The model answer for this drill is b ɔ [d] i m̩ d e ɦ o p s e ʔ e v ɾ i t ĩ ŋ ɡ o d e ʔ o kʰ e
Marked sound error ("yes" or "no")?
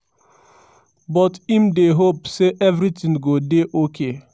yes